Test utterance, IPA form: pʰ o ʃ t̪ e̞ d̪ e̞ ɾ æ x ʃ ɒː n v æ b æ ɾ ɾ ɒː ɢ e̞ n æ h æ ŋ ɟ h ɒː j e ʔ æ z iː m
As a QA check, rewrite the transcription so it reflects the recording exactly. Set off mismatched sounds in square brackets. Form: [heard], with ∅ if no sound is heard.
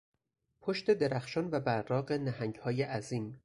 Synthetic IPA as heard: pʰ o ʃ t̪ e̞ d̪ e̞ ɾ æ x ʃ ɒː n v æ b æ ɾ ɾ ɒː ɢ e̞ n æ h æ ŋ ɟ h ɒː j e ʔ æ z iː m